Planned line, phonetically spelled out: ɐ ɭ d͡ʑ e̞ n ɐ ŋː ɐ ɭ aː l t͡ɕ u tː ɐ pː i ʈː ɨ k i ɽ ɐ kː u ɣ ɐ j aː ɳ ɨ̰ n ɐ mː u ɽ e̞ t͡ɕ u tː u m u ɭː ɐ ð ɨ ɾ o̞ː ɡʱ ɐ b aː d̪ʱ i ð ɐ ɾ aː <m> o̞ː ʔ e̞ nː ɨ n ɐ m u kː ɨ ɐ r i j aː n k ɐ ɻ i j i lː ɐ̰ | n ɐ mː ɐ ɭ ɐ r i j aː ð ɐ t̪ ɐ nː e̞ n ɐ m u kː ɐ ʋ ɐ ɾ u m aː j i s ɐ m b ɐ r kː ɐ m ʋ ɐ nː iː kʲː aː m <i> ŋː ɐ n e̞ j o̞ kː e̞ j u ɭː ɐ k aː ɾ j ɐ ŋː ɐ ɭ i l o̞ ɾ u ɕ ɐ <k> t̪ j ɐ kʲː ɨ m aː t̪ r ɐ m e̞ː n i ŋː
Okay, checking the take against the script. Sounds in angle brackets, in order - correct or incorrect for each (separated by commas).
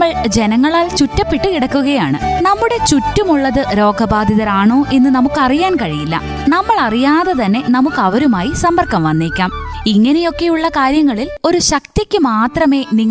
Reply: incorrect, correct, correct